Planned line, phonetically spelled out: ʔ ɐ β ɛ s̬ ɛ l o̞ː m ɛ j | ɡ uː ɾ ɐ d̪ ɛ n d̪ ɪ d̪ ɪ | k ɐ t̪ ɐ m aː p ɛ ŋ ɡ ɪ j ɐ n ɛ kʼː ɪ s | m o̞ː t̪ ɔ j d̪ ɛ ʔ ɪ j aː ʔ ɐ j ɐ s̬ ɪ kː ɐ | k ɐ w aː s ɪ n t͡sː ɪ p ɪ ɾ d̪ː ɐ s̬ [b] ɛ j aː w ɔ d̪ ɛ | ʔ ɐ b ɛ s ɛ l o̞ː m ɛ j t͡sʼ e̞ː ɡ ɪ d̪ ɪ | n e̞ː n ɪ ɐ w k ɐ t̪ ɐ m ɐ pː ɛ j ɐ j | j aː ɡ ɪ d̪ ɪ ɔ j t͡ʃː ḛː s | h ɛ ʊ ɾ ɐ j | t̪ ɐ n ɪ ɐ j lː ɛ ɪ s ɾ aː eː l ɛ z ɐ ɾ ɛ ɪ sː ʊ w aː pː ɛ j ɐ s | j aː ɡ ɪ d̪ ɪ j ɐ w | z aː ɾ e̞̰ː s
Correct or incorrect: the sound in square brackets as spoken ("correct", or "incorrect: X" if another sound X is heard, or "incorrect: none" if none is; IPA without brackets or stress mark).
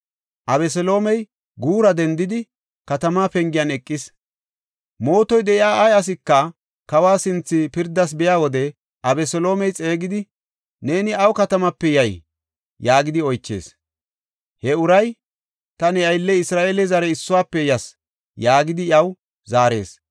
correct